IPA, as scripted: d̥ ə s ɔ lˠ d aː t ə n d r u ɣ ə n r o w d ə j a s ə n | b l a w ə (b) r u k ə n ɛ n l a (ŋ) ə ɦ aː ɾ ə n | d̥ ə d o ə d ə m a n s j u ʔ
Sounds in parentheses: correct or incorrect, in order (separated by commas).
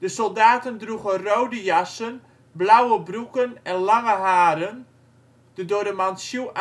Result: correct, correct